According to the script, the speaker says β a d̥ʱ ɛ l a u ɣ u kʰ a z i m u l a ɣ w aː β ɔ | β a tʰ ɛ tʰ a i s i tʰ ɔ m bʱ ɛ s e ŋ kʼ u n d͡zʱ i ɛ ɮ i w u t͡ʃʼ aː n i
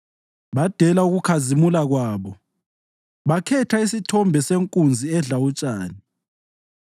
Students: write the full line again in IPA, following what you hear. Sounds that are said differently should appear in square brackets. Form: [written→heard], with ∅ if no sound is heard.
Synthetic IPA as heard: β a d̥ʱ ɛ l a u ɣ u kʰ a z i m u l a ɣ w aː β ɔ | β a [tʰ→kʰ] ɛ tʰ a i s i tʰ ɔ m bʱ ɛ s e ŋ kʼ u n d͡zʱ i ɛ ɮ [i→a] w u t͡ʃʼ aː n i

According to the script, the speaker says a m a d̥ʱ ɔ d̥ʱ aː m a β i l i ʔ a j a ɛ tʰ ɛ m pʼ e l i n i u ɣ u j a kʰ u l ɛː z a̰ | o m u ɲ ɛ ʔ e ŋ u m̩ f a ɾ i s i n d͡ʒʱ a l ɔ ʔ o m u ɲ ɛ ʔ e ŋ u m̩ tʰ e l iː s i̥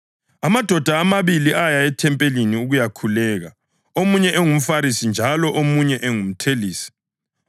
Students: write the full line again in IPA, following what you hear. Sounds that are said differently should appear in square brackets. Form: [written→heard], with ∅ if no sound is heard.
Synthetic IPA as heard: a m a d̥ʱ ɔ d̥ʱ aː m a β i l i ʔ a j a ɛ tʰ ɛ m pʼ e l i n i u ɣ u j a kʰ u l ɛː [z→ɣ] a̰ | o m u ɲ ɛ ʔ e ŋ u m̩ f a ɾ i s i n d͡ʒʱ a l ɔ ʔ o m u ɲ ɛ ʔ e ŋ u m̩ tʰ e l iː s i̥

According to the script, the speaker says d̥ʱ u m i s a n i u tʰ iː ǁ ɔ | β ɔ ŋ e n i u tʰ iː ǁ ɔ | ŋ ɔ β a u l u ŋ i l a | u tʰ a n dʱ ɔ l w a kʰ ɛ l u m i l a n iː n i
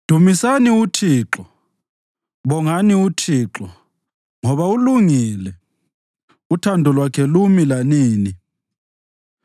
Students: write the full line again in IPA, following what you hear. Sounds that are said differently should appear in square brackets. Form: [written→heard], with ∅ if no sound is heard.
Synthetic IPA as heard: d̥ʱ u m i s a n i u tʰ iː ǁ ɔ | β ɔ ŋ [e→a] n i u tʰ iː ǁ ɔ | ŋ ɔ β a u l u ŋ i l [a→ɛ] | u tʰ a n dʱ ɔ l w a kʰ ɛ l u m i l a n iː n i

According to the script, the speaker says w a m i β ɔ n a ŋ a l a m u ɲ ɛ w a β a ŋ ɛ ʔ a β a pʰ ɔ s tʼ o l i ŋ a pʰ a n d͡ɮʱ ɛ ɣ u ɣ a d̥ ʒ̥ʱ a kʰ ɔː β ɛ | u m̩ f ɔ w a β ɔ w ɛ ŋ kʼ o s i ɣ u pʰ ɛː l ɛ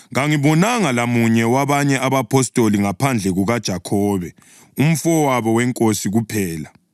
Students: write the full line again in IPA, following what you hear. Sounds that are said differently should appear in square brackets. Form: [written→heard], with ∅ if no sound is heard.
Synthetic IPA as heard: [w→ɣ] a [m→ŋ] i β ɔ n a ŋ a l a m u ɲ ɛ w a β a [ŋ→ɲ] ɛ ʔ a β a pʰ ɔ s tʼ o l i ŋ a pʰ a n d͡ɮʱ ɛ ɣ u ɣ a d̥ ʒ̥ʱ a kʰ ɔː β ɛ | u m̩ f ɔ w a β ɔ w ɛ ŋ kʼ o s i ɣ u pʰ ɛː l [ɛ→a]

